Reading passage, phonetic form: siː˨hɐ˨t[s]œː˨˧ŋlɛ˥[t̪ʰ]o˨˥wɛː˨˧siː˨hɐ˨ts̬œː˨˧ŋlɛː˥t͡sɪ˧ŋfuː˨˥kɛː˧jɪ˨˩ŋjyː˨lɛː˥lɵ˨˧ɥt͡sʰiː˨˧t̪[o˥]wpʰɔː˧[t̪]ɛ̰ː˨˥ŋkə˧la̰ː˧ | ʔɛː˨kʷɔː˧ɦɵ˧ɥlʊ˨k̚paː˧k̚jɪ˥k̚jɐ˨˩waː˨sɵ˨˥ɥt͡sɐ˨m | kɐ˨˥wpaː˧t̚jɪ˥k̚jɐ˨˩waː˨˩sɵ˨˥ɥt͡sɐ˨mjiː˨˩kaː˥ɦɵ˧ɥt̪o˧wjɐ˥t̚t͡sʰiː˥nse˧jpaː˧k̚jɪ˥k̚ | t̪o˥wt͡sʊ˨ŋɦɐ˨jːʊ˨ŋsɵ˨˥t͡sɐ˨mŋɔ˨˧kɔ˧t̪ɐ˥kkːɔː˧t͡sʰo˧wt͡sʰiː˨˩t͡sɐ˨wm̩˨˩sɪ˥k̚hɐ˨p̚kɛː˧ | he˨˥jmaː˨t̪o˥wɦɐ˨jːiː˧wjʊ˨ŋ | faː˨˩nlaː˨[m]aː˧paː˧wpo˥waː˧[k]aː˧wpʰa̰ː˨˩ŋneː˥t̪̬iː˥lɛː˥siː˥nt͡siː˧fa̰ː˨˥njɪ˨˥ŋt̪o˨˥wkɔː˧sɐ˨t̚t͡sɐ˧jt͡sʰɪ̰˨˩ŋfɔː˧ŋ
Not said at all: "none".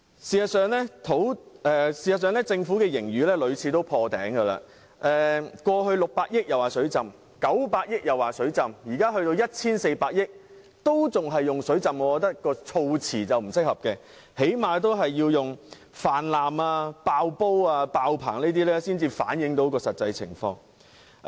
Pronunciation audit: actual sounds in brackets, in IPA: s, t̪ʰ, o˥, t̪, m, p

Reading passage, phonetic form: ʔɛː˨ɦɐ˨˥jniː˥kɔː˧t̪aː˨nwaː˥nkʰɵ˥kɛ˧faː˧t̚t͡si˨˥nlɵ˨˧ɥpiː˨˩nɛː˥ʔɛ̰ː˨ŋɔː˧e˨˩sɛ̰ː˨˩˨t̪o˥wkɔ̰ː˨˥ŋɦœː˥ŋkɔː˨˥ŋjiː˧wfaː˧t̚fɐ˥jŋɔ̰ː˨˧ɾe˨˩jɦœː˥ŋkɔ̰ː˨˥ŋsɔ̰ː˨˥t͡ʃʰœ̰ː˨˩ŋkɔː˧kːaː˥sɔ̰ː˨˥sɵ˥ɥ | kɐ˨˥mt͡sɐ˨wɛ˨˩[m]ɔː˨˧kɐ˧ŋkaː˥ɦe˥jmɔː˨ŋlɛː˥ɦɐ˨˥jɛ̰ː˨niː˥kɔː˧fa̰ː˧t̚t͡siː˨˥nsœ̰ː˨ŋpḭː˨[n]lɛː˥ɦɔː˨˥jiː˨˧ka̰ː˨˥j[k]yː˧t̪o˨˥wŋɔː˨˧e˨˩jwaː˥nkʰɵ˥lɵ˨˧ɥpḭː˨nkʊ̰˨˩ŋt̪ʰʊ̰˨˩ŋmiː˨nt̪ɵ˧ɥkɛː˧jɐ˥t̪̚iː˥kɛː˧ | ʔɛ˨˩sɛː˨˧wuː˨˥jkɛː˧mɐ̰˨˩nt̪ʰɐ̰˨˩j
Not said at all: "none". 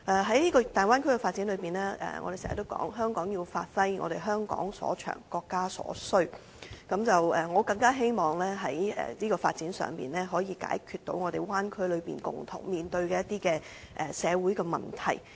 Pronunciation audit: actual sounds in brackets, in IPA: ŋ, n, kʰ

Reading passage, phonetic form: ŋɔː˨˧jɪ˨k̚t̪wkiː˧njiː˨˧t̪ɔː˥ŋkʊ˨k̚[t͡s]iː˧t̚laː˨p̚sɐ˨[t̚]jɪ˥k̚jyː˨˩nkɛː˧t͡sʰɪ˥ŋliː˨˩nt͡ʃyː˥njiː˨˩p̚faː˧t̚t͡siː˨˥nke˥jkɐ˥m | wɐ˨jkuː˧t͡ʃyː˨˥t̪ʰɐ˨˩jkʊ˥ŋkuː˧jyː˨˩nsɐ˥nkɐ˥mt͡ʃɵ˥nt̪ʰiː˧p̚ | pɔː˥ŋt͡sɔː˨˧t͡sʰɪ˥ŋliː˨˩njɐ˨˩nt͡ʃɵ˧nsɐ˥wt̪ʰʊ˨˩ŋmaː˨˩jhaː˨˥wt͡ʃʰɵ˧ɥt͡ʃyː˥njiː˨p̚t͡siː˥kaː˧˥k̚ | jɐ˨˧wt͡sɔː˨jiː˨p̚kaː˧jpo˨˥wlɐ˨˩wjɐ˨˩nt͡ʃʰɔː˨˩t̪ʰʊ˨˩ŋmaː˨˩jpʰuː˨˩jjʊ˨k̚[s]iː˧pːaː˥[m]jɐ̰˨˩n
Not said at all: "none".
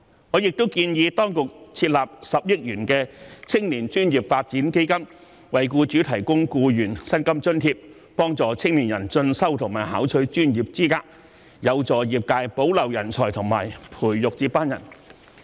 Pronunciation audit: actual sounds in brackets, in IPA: t͡sʰ, p̚, t͡s, n

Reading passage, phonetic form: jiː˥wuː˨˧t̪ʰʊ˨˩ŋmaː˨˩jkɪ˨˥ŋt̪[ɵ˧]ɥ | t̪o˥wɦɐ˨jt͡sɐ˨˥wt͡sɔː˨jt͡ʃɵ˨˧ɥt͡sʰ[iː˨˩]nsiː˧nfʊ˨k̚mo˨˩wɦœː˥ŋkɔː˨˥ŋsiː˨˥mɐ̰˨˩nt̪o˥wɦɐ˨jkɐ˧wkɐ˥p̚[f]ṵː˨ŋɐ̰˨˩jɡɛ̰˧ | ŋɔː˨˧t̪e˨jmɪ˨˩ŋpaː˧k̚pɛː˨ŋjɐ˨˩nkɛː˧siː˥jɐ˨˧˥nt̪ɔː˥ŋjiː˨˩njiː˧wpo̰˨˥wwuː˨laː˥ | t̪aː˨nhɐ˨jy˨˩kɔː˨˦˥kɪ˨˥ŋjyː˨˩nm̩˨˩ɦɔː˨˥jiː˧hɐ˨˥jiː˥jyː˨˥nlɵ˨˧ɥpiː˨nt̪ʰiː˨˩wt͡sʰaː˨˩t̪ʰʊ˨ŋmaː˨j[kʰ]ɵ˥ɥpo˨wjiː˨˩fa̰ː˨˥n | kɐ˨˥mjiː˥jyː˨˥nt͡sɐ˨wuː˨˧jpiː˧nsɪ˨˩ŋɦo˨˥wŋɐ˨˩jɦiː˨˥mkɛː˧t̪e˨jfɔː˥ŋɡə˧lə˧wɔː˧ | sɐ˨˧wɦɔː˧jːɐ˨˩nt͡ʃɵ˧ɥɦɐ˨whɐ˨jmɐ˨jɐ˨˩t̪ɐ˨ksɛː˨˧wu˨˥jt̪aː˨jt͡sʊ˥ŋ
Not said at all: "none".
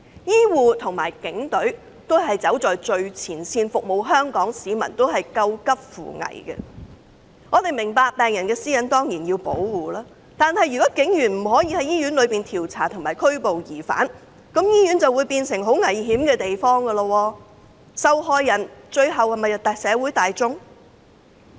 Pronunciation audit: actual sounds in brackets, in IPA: ɵ˨˥, iː˨˩, f, kʰ

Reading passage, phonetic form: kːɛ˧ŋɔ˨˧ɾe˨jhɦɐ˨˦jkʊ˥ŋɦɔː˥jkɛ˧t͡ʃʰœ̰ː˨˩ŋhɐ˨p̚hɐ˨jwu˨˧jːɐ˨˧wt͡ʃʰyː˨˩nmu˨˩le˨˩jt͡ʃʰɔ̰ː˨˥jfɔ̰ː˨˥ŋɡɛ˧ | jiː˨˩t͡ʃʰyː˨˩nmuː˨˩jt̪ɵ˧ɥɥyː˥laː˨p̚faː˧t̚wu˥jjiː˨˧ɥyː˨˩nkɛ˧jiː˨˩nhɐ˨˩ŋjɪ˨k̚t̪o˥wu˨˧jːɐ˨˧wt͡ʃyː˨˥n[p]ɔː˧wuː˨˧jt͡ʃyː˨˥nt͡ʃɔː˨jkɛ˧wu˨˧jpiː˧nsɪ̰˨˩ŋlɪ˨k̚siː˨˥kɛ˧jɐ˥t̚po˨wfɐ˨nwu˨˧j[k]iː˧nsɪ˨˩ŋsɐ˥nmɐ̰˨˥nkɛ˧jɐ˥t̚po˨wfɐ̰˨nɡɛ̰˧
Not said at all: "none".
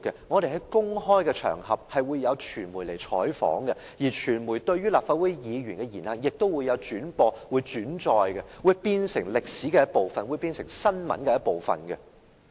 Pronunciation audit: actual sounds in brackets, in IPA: p, p

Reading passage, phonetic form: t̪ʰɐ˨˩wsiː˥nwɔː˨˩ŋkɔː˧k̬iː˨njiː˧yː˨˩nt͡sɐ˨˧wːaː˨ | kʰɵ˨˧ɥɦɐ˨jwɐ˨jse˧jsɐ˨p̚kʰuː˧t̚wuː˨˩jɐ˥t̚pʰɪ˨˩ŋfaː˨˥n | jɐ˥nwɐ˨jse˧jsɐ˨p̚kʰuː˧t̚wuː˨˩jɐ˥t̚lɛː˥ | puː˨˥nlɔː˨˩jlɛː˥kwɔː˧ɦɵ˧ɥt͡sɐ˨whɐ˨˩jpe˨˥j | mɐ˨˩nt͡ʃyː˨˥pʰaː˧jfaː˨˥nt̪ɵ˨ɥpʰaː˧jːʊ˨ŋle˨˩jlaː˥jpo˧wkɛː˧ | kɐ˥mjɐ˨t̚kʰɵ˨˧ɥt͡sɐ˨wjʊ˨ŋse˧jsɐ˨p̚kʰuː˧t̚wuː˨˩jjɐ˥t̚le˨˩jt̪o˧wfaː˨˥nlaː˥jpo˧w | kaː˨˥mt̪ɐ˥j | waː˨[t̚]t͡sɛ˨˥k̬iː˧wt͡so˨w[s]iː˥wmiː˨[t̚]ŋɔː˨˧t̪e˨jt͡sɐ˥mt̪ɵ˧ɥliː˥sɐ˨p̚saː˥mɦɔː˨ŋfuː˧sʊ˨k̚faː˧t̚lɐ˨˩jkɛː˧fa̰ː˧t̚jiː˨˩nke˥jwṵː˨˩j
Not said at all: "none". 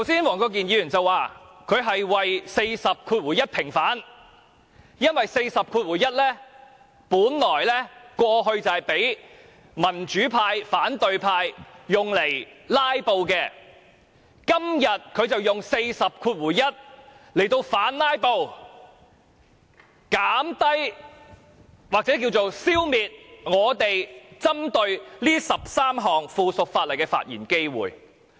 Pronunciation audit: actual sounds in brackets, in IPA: k̚, s, t̚

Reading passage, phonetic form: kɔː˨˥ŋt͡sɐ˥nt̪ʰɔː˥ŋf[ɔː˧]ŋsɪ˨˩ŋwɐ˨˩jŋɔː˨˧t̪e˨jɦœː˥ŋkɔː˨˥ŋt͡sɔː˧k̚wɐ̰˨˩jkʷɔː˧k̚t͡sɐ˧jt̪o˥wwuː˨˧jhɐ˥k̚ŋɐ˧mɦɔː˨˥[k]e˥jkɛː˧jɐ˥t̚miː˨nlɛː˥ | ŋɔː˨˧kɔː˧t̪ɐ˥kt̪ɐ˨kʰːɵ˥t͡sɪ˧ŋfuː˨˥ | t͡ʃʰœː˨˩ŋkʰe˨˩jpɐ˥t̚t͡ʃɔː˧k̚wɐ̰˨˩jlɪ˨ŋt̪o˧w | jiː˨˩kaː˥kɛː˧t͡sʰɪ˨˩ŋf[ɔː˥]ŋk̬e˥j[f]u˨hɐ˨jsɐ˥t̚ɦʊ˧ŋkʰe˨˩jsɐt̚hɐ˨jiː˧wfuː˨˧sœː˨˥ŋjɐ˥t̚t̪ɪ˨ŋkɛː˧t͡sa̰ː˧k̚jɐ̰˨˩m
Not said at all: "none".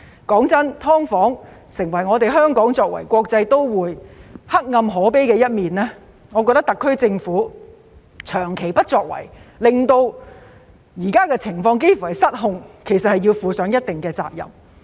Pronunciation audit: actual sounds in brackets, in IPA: ɔː˨˥, p, ɔː˧, f

